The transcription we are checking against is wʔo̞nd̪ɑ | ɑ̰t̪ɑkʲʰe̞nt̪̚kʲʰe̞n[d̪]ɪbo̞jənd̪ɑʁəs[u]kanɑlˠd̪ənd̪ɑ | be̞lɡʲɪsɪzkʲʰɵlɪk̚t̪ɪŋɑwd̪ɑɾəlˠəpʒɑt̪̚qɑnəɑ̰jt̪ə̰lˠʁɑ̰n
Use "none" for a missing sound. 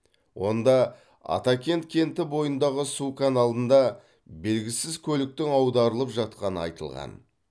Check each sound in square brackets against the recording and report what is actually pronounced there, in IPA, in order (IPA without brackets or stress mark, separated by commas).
t̪, u